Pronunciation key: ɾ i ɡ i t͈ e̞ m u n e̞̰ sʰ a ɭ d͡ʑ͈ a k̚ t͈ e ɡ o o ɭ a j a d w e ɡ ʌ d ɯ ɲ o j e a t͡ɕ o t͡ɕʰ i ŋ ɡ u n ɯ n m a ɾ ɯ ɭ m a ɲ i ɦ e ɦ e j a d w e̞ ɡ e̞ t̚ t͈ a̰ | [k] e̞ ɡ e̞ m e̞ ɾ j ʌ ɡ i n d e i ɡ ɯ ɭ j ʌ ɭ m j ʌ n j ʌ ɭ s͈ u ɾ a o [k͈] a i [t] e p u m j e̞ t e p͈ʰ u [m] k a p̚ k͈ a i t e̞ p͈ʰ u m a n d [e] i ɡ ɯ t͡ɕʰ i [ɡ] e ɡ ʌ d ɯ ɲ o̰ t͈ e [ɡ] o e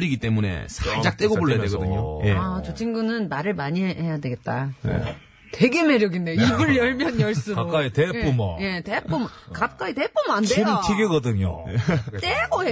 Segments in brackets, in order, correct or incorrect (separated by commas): incorrect, correct, correct, correct, correct, correct, correct